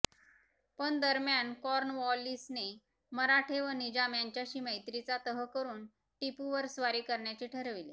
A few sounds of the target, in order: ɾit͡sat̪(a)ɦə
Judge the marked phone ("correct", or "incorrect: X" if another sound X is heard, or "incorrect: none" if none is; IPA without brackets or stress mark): incorrect: ə